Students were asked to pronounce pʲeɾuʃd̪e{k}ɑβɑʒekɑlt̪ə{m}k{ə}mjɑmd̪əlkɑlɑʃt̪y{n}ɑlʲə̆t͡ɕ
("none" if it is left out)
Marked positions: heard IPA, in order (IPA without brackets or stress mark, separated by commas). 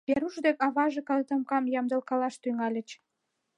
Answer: k, m, ɑ, ŋ